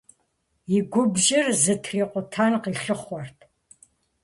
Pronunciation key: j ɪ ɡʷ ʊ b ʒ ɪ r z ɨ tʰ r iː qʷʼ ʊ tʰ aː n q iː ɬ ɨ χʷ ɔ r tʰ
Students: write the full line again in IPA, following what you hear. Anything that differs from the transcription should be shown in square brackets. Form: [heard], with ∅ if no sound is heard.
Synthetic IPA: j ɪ ɡʷ ʊ b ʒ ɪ r z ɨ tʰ r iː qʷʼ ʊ tʰ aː n q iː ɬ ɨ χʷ ɔ r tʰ